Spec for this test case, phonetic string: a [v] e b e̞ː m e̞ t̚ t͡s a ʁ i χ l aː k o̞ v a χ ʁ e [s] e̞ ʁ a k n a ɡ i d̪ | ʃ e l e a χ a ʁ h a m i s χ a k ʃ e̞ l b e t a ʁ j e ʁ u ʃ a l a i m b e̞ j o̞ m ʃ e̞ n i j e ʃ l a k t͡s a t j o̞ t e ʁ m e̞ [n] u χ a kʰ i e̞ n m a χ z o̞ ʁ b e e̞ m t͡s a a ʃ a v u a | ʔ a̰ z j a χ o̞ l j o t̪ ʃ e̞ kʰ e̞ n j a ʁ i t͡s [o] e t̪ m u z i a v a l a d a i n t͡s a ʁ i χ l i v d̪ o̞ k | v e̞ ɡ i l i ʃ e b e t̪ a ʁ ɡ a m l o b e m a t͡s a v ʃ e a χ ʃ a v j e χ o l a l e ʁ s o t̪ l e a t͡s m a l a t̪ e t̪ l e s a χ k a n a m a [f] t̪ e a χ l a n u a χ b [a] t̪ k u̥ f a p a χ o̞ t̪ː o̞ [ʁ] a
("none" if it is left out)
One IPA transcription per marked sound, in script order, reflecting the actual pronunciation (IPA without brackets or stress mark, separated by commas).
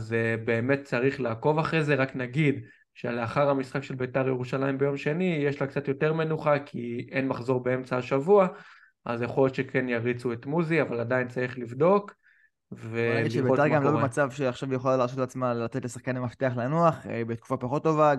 z, z, n, u, f, e, v